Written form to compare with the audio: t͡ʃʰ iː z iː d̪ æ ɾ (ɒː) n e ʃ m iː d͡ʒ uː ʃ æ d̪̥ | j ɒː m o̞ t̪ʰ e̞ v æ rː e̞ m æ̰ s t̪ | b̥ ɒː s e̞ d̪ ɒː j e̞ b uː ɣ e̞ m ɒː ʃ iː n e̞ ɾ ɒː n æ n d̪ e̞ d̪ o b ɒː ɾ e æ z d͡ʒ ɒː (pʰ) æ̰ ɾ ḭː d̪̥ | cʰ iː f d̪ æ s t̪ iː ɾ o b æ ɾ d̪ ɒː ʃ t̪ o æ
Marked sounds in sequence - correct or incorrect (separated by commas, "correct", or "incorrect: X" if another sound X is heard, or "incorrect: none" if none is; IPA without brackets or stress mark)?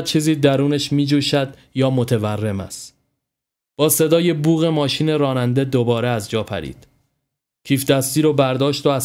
incorrect: uː, correct